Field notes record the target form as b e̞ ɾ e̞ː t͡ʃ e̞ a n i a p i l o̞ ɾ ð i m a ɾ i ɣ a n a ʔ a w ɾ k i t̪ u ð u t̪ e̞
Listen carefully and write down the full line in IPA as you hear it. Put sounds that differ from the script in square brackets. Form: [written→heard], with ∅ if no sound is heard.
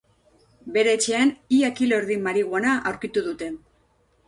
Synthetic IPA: b e̞ ɾ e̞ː t͡ʃ e̞ a n i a [p→k] i l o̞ ɾ ð i m a ɾ i ɣ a n a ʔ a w ɾ k i t̪ u ð u t̪ e̞